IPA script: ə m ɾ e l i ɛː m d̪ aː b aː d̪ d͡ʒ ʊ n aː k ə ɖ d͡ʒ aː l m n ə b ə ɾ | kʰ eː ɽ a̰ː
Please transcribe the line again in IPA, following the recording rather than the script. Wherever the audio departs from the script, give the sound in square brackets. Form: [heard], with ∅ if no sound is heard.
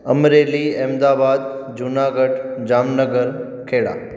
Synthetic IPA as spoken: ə m ɾ e l i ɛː m d̪ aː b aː d̪ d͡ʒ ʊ n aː [ɡ] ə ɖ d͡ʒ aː [∅] m n ə [ɡ] ə ɾ | kʰ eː ɽ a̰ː